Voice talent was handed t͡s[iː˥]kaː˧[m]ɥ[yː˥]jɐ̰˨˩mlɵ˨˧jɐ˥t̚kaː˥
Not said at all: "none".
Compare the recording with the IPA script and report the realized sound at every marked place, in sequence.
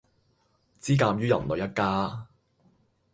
iː˥, m, yː˥

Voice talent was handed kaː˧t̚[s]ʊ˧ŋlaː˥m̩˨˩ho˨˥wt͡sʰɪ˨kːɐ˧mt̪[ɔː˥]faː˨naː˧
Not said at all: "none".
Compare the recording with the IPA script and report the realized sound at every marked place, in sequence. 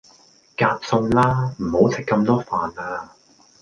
s, ɔː˥

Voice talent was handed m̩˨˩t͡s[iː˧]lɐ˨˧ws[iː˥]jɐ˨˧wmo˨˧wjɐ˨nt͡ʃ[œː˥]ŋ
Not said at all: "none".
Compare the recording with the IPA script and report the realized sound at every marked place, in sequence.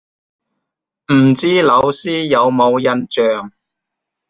iː˥, iː˥, œː˨

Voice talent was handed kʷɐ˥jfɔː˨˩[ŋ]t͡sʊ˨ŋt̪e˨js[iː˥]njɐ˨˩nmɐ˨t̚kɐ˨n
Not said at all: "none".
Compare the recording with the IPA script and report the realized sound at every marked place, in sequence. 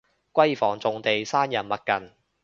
ŋ, aː˥

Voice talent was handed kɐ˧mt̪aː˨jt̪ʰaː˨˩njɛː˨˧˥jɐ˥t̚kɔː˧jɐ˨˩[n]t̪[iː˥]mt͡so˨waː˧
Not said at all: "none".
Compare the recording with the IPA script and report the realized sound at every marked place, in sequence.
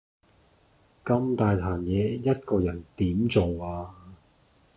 n, iː˨˥

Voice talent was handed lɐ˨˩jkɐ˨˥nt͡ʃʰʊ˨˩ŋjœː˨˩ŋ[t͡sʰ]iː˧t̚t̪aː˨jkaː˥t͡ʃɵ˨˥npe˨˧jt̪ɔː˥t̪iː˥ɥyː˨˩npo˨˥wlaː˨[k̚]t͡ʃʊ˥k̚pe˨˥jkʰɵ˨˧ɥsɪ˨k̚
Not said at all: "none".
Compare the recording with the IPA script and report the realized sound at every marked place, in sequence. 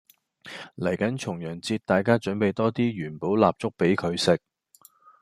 t͡s, p̚

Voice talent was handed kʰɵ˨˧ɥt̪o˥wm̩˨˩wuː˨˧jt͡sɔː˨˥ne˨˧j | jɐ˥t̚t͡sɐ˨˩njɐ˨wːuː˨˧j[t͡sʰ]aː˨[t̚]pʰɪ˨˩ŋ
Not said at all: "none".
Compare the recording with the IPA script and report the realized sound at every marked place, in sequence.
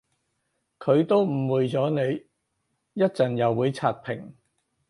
t͡sʰ, t̚

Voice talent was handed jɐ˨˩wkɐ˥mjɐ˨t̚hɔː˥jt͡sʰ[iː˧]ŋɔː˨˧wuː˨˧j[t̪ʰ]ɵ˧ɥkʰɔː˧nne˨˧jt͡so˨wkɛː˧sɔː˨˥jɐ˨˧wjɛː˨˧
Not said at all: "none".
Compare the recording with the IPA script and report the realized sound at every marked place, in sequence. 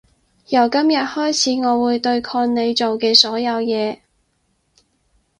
iː˨˥, t̪

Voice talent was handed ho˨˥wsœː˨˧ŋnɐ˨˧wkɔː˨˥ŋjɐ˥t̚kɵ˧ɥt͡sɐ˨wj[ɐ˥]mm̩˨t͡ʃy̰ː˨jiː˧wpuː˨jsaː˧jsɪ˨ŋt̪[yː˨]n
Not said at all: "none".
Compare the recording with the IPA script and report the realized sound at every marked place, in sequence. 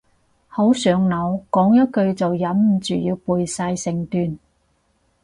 ɐ˨˥, yː˨

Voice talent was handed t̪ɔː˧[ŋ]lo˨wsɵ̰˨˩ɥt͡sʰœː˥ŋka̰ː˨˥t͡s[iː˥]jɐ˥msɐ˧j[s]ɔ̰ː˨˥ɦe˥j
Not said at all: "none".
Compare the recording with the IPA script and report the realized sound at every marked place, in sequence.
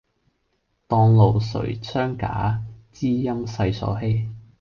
ŋ, iː˥, s

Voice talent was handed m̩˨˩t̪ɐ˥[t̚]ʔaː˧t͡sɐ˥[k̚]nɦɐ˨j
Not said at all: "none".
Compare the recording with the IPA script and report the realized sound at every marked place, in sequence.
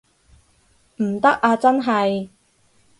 k̚, none

